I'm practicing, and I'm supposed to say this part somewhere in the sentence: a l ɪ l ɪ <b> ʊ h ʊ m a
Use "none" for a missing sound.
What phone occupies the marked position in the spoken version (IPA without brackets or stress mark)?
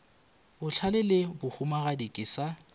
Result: b